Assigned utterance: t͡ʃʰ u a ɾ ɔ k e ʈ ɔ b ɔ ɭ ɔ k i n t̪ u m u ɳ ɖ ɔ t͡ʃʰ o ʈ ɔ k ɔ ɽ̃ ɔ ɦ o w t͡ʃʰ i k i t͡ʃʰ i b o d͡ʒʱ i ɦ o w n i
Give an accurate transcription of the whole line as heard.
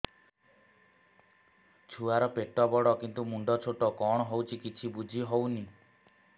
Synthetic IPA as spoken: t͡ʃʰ u a ɾ ɔ p e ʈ ɔ b ɔ ɽ ɔ k i n t̪ u m u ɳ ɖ ɔ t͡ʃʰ o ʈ ɔ k ɔ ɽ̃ ɔ ɦ o w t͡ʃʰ i k i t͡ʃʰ i b u d͡ʒʱ i ɦ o w n i